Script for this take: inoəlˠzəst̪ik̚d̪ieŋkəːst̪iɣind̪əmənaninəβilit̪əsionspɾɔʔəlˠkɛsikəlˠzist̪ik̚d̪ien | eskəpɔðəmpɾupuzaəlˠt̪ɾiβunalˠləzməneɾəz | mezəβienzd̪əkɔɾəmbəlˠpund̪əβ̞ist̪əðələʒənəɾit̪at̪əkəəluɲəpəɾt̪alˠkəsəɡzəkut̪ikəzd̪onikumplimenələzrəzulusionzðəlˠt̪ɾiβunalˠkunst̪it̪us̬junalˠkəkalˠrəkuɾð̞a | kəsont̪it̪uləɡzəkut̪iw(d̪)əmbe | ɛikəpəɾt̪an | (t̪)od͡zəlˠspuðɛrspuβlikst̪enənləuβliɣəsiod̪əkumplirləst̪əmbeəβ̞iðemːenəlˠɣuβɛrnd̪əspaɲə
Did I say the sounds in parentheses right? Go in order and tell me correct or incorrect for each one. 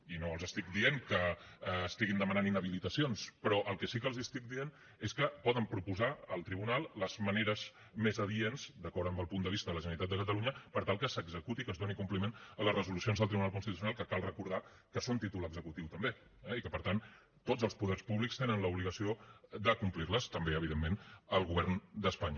incorrect: t̪, correct

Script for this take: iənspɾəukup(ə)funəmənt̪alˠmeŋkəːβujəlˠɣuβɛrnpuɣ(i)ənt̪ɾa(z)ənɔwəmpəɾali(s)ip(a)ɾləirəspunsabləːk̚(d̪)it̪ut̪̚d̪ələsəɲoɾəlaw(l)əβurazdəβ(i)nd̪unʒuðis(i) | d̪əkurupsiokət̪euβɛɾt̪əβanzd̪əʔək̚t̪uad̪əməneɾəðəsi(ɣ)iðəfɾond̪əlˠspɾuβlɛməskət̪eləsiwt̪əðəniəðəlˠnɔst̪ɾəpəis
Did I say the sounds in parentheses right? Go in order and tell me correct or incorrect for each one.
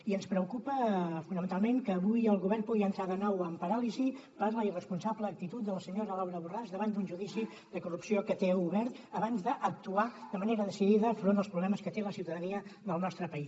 correct, correct, incorrect: ð, incorrect: z, incorrect: ə, incorrect: t̪, incorrect: ɾ, incorrect: a, correct, incorrect: ð

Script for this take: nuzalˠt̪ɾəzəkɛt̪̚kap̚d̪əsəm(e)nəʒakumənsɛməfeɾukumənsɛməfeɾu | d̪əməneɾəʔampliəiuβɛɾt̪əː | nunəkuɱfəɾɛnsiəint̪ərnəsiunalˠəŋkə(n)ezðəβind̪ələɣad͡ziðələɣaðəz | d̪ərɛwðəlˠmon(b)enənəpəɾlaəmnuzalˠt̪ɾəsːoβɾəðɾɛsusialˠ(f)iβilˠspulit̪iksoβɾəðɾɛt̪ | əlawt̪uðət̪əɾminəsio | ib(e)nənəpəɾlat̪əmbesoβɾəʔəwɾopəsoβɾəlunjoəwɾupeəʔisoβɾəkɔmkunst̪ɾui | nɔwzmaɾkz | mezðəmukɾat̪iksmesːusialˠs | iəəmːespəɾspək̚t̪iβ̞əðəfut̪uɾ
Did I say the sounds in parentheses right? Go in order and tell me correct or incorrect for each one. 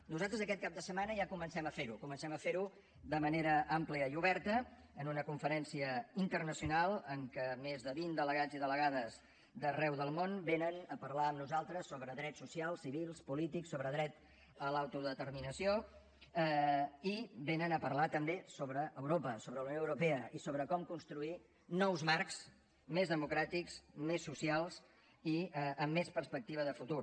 incorrect: a, incorrect: m, correct, incorrect: s, correct

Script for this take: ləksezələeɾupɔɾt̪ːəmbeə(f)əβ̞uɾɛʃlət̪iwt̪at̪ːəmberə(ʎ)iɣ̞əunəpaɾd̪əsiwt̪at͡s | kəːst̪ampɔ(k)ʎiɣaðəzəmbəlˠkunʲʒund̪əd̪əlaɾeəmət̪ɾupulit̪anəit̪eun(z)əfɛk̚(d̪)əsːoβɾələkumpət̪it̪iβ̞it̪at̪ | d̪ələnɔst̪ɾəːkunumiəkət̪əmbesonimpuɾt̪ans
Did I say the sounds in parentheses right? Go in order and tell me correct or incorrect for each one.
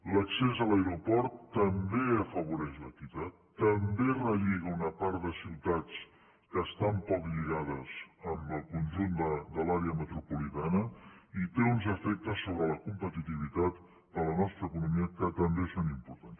correct, correct, correct, correct, incorrect: t̪

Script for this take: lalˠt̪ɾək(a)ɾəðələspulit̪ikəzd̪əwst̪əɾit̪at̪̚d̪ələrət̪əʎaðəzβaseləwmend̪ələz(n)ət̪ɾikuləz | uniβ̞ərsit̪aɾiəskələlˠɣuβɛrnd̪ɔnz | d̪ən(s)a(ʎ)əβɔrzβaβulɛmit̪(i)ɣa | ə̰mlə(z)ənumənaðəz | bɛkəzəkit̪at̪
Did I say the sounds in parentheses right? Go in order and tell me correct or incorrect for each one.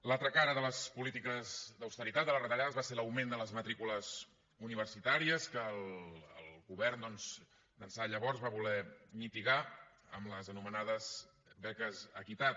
correct, incorrect: m, correct, correct, correct, correct

